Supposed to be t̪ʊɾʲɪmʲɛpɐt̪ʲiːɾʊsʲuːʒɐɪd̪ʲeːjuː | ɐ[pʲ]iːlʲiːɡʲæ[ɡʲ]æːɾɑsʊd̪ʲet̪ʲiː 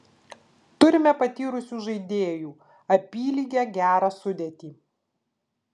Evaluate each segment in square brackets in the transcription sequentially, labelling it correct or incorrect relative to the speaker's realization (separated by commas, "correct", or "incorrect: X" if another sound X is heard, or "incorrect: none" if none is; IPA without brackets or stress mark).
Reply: correct, correct